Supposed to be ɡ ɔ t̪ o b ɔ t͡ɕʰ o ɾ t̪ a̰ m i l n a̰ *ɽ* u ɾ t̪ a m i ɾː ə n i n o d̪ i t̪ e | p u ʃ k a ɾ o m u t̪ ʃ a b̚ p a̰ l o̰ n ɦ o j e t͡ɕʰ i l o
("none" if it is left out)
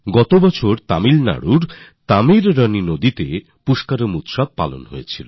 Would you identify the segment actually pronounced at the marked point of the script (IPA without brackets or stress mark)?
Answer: ɽ